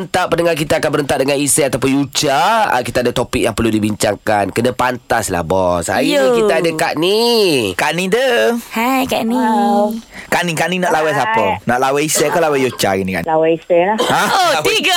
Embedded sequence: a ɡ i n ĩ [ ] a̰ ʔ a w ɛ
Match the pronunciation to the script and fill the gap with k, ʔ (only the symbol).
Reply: k